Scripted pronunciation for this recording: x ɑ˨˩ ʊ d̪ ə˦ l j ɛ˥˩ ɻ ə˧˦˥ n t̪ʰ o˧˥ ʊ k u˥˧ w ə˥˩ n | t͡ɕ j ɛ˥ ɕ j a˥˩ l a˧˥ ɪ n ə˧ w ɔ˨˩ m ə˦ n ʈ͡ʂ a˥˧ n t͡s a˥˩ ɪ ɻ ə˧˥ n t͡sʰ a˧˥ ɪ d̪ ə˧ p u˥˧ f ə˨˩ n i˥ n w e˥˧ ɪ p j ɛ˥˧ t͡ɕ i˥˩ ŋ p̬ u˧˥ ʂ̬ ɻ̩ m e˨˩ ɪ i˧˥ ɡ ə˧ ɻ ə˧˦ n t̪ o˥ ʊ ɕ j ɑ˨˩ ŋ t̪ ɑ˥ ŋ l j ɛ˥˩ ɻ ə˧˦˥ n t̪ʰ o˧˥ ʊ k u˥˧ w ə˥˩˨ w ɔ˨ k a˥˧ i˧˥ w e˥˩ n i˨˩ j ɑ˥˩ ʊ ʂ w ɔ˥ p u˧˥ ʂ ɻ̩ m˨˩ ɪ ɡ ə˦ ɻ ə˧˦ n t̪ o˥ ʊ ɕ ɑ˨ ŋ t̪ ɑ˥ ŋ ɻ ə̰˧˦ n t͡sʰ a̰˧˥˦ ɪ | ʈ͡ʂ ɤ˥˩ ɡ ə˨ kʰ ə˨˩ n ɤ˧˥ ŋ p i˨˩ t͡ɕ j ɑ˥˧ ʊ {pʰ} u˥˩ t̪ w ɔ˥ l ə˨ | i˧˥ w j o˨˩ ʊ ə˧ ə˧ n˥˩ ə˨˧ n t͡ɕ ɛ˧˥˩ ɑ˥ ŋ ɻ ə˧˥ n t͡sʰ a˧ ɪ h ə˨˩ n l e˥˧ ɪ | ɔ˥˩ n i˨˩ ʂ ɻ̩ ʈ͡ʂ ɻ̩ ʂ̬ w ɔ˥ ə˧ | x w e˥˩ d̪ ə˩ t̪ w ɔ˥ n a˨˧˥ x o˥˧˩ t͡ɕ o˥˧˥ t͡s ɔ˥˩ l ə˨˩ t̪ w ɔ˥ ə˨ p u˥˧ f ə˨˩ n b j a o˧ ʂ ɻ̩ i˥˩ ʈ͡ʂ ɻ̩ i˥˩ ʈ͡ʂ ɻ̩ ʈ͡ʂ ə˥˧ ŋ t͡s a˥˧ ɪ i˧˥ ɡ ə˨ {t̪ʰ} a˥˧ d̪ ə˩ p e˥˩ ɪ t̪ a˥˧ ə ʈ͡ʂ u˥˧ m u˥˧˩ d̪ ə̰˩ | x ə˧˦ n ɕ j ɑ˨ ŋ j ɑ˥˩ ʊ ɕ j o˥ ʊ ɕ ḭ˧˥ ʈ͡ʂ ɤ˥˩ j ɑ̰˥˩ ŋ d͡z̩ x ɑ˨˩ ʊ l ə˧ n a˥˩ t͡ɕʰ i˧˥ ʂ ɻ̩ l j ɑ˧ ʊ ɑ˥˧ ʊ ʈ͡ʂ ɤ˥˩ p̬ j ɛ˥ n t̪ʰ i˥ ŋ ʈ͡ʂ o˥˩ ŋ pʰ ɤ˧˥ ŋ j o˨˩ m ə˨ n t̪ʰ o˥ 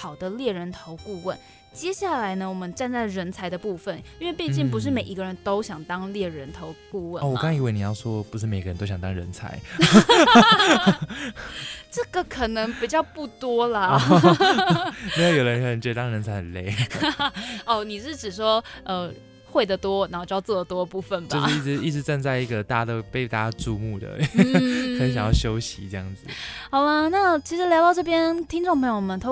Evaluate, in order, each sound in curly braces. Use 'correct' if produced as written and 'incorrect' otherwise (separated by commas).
incorrect, incorrect